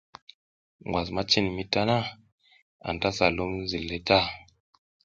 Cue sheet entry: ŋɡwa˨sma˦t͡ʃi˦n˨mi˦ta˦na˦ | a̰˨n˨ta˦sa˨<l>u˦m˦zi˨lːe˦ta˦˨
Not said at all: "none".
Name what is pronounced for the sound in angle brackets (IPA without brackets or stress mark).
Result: l